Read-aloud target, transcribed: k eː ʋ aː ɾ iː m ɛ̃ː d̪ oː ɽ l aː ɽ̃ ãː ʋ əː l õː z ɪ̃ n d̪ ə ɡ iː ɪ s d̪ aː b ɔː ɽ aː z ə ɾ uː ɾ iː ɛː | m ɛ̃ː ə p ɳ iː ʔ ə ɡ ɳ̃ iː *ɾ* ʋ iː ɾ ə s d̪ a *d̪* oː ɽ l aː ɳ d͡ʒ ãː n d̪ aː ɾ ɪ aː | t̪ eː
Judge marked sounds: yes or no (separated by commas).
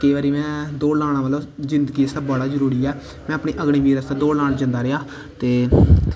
no, yes